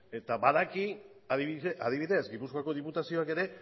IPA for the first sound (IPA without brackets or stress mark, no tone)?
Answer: e̞